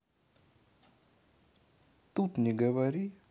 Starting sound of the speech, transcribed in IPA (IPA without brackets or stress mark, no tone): t̪